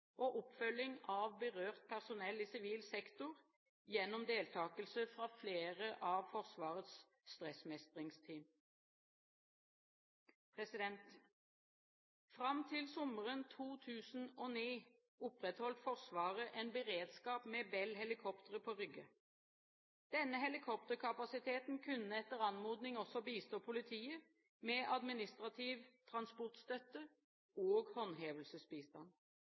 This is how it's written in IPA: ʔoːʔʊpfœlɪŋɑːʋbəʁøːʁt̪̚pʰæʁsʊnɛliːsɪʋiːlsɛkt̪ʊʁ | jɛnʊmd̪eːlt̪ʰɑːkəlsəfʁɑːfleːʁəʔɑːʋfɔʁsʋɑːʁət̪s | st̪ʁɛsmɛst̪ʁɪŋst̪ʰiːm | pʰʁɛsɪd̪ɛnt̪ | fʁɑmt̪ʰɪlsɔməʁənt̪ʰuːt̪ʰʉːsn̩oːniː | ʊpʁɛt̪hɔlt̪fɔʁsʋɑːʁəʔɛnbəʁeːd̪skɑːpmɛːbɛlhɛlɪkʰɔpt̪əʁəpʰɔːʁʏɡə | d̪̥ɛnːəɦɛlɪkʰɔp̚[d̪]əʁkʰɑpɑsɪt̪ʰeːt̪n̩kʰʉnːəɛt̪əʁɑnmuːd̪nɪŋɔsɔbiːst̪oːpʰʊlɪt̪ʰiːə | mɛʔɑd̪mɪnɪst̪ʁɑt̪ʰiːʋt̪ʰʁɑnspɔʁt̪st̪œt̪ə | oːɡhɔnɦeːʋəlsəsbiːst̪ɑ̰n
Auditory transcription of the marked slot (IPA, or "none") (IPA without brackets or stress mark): t̪